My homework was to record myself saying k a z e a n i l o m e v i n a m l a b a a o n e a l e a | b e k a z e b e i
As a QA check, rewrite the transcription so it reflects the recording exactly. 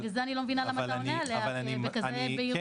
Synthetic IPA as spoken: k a z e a n i l o m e v i n a l a m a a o n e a l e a | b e k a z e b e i